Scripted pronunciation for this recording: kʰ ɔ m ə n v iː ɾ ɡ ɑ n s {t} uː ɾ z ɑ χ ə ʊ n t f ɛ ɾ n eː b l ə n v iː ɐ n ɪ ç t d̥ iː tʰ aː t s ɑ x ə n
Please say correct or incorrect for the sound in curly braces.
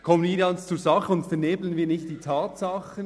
incorrect